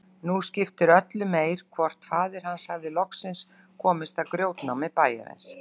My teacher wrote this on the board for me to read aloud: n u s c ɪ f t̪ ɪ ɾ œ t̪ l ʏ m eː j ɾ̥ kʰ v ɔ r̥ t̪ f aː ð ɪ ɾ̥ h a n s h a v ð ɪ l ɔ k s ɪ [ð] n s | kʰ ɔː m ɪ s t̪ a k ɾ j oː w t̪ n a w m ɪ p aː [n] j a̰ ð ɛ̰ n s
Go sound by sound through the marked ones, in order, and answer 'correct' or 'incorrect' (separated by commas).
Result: incorrect, incorrect